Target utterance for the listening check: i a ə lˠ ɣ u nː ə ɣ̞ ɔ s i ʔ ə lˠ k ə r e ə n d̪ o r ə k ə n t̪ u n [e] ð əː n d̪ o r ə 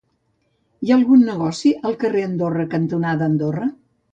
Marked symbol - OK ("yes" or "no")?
no